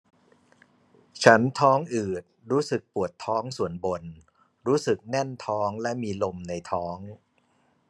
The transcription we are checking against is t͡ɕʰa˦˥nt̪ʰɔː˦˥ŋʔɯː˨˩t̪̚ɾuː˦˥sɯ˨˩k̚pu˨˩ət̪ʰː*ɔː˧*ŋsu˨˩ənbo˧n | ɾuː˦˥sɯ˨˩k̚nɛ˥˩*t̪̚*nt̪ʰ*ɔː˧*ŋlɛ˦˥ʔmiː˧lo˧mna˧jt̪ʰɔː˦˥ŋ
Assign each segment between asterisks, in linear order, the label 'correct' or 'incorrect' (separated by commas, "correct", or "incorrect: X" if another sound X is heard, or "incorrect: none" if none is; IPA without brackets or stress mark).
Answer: incorrect: ɔː˦˥, incorrect: none, incorrect: ɔː˦˥